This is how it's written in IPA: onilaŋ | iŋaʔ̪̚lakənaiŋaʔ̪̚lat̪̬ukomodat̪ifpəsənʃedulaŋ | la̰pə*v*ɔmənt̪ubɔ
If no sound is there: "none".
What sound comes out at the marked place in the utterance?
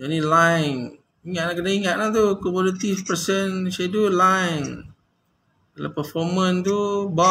f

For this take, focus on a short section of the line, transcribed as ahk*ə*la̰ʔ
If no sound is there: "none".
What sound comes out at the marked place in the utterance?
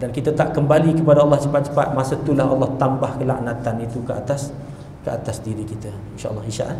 ə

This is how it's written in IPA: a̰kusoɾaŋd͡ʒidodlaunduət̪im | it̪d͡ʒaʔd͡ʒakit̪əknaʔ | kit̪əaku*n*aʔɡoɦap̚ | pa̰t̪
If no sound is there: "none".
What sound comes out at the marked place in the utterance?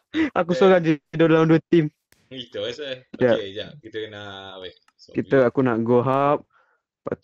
n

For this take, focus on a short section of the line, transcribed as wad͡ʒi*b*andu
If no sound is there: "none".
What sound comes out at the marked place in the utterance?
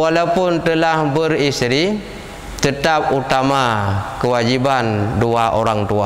b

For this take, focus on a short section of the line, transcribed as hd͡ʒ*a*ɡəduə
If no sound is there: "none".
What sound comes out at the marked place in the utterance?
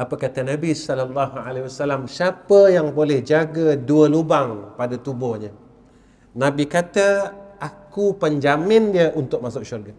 a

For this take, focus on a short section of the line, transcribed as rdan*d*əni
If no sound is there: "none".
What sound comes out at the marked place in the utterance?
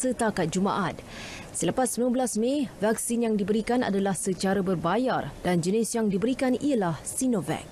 d͡ʒ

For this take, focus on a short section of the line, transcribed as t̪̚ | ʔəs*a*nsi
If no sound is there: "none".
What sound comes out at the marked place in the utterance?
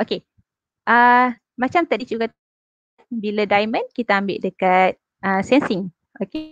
ɛ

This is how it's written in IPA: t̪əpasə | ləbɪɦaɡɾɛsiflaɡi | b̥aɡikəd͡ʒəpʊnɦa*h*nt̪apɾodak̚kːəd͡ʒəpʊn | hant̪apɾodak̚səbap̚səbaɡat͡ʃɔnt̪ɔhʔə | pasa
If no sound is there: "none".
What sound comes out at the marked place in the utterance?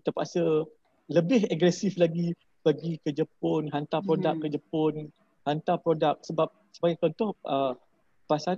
none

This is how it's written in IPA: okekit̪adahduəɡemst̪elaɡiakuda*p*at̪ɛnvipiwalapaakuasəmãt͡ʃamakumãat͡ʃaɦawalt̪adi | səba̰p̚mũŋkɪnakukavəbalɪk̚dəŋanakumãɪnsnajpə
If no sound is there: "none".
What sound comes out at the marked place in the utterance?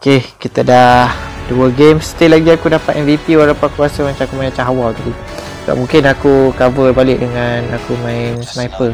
p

